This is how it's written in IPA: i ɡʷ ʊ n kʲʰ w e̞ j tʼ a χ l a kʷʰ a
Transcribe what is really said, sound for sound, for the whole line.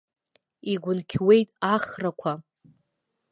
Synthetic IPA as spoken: i ɡʷ ʊ n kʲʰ w e̞ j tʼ a χ r a kʷʰ a